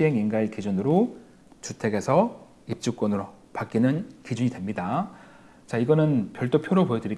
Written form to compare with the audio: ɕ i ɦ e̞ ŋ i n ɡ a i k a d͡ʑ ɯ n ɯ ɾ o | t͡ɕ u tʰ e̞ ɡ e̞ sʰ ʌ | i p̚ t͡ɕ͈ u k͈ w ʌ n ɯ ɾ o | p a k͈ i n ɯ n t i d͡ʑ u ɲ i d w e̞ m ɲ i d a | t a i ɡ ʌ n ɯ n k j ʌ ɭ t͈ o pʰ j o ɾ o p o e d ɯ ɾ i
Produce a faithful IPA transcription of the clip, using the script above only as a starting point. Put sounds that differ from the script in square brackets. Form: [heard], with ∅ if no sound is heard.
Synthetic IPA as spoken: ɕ i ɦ e̞ ŋ i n ɡ a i k [i] d͡ʑ [u] n ɯ ɾ o | t͡ɕ u tʰ e̞ ɡ e̞ sʰ ʌ | i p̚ t͡ɕ͈ u k͈ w ʌ n ɯ ɾ o | p a k͈ i n ɯ n [k] i d͡ʑ u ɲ i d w e̞ m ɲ i d a | [t͡ɕ] a i ɡ ʌ n ɯ n [p] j ʌ ɭ t͈ o pʰ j o ɾ o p o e d ɯ ɾ i